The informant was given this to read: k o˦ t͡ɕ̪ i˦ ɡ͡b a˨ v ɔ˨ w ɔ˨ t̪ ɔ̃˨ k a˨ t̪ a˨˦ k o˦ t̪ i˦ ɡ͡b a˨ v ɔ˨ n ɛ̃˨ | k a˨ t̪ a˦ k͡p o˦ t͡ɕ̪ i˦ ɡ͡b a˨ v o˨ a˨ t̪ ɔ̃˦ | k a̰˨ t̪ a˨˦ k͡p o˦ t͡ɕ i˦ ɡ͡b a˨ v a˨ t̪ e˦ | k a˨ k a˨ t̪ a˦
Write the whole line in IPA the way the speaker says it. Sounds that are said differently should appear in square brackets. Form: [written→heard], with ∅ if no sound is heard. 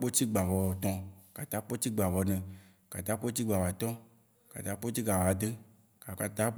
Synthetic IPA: [k→k͡p] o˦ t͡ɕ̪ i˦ ɡ͡b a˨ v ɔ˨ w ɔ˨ t̪ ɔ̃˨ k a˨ t̪ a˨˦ [k→k͡p] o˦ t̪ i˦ ɡ͡b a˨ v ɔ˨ n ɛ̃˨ | k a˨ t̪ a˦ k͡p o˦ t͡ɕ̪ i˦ ɡ͡b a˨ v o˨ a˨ t̪ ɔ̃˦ | k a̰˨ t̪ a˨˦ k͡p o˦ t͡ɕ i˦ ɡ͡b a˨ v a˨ [t̪→d̪] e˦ | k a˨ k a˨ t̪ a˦